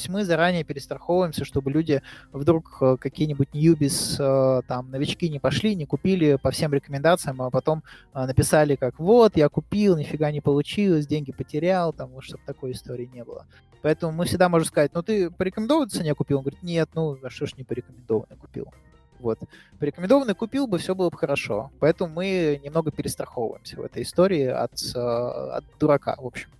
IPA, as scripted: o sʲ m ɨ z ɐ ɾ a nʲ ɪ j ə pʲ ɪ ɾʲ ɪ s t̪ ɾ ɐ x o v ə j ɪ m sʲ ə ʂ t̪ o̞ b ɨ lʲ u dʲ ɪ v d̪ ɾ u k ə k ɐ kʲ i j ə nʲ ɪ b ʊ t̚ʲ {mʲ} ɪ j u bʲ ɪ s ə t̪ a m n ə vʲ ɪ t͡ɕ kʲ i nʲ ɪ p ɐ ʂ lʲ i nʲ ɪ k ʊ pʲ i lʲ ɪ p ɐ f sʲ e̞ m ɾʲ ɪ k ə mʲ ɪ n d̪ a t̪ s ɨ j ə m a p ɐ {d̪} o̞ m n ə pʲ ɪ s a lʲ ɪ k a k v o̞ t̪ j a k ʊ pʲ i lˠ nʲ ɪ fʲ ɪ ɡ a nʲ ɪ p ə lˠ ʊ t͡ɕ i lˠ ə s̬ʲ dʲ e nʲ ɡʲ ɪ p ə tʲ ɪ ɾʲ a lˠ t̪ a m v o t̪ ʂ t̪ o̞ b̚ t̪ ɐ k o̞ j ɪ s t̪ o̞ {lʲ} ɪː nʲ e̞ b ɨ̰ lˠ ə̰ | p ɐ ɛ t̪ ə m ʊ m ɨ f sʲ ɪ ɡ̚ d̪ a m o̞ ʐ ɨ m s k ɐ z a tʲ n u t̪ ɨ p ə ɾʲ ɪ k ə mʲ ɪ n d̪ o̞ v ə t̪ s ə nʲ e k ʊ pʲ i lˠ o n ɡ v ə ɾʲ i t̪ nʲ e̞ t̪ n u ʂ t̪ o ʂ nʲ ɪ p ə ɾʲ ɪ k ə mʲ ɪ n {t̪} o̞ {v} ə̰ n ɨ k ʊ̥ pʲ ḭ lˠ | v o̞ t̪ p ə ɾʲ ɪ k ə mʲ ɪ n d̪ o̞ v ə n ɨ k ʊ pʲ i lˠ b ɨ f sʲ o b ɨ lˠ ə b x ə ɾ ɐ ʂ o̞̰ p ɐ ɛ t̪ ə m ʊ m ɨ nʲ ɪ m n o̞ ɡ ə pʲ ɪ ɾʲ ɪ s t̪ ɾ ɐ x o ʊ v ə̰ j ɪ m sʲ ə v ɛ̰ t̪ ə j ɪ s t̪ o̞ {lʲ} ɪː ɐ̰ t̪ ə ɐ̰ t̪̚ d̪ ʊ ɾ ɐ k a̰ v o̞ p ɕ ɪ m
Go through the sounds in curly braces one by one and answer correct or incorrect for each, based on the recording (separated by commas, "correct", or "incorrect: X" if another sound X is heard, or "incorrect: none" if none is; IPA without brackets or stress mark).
incorrect: nʲ, incorrect: t̪, incorrect: ɾʲ, incorrect: d̪, correct, incorrect: ɾʲ